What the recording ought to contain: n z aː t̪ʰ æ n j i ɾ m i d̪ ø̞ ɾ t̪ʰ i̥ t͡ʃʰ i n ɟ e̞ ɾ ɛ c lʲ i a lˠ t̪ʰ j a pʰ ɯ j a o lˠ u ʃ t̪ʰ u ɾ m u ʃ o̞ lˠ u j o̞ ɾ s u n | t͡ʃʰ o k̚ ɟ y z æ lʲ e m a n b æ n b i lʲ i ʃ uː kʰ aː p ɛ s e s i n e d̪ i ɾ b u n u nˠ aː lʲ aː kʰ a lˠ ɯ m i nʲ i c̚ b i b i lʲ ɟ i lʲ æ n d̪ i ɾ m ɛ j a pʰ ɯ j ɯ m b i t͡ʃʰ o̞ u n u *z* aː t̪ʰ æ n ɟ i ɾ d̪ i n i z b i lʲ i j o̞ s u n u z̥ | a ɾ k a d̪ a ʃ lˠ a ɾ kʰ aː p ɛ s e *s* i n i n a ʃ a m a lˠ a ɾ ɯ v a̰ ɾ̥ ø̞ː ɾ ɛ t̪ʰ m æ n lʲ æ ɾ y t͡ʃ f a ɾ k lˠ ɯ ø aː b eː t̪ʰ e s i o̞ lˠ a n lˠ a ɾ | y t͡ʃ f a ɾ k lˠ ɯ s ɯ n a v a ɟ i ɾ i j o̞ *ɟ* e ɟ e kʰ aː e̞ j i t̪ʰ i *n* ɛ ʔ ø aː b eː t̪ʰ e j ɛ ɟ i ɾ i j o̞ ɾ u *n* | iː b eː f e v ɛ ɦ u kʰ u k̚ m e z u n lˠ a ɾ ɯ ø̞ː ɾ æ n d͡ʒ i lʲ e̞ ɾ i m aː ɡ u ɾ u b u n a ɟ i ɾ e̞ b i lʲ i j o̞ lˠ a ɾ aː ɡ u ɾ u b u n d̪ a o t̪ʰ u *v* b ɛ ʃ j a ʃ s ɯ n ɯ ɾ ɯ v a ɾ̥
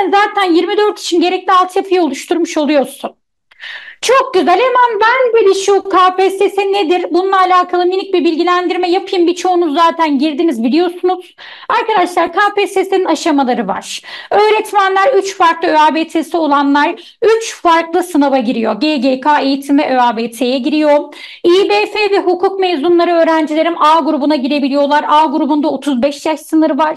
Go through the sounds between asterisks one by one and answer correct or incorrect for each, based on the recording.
incorrect, correct, correct, incorrect, incorrect, incorrect

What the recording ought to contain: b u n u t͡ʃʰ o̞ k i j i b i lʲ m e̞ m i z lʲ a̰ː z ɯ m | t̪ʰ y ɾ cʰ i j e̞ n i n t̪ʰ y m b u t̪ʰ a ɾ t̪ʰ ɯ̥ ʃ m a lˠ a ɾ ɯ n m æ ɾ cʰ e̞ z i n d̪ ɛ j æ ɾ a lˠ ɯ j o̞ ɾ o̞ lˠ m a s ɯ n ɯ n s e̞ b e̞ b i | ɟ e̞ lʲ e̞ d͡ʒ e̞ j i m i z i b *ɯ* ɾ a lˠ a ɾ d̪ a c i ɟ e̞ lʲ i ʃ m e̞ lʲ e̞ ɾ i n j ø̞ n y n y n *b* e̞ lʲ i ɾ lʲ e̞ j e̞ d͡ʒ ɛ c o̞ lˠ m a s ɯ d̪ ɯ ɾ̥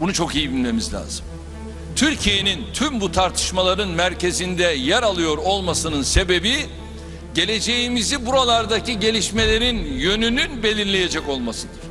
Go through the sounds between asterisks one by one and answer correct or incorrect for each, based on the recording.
incorrect, correct

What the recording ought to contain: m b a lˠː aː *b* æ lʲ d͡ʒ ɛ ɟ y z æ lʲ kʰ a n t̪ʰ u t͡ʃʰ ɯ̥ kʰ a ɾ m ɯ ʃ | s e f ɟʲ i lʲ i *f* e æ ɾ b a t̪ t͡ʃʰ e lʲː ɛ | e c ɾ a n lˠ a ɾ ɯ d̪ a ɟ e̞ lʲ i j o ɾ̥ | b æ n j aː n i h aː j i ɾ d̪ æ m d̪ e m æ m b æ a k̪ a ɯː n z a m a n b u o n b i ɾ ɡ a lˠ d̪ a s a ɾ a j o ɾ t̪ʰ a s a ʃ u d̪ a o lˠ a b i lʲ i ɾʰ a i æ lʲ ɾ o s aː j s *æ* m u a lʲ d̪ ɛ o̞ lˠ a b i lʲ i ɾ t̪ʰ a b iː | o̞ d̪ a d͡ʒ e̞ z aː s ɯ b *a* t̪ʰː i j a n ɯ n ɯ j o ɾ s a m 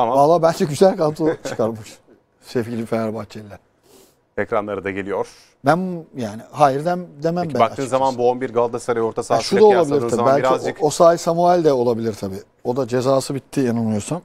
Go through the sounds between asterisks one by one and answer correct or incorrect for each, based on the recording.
correct, correct, incorrect, incorrect

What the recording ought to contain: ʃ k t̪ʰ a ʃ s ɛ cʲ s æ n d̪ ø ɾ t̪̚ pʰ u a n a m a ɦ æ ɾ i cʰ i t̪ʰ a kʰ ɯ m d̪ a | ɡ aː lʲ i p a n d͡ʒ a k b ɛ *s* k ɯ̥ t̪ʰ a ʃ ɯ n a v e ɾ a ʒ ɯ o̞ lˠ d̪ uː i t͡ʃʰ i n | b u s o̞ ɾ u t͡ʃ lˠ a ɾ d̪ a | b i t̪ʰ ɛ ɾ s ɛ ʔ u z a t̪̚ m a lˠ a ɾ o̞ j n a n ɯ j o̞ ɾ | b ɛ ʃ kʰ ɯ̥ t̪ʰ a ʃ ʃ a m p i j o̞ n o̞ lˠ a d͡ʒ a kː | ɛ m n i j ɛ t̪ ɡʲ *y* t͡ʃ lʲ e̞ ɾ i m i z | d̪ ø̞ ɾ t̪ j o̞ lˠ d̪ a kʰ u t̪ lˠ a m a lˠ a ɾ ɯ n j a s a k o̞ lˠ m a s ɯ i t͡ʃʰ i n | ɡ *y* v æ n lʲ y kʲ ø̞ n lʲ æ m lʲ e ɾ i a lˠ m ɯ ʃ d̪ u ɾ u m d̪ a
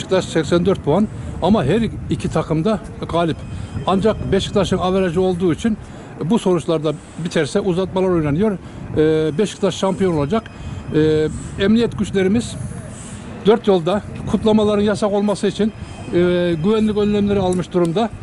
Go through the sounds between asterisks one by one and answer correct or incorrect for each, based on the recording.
incorrect, correct, correct

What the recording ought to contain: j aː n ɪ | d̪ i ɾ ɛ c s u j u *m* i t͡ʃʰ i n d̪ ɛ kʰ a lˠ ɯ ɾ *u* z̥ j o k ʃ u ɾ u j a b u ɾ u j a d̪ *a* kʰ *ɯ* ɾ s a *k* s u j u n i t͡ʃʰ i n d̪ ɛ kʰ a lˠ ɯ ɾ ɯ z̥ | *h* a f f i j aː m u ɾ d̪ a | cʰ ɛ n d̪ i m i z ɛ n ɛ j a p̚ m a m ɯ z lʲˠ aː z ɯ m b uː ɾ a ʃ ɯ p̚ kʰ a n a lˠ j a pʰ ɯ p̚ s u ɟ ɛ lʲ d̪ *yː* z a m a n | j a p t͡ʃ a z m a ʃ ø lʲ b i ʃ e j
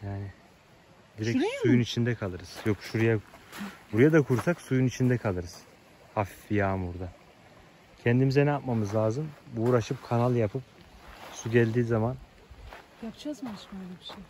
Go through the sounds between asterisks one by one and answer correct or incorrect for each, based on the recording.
incorrect, incorrect, correct, incorrect, correct, correct, incorrect

